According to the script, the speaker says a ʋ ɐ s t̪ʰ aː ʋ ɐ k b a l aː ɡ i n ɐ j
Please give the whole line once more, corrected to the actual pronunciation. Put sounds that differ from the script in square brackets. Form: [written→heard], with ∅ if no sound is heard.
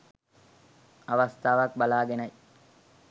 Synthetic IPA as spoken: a ʋ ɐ s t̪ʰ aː ʋ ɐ k b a l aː ɡ [i→e] n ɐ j